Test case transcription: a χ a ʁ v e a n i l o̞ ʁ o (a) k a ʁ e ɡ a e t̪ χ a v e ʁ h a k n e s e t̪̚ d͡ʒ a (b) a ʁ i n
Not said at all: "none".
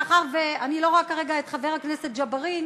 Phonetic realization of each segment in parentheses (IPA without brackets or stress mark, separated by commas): a, b